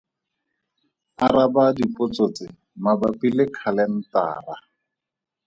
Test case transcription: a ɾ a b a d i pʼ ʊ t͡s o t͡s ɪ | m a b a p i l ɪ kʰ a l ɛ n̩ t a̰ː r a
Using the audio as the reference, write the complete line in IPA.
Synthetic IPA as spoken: a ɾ a b a d i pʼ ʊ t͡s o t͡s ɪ | m a b a p i l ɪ kʰ a l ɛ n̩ t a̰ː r a